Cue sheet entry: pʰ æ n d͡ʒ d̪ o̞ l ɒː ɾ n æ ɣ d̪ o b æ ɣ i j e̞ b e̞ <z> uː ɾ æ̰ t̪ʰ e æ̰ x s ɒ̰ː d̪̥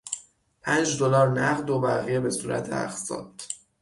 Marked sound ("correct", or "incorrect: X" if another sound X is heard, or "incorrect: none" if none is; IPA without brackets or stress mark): incorrect: s